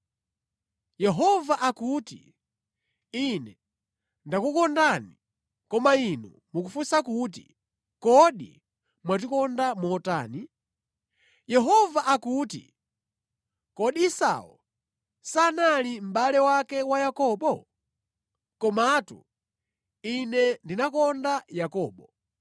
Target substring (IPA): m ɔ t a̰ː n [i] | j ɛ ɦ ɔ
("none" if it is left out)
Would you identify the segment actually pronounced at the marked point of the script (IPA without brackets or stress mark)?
i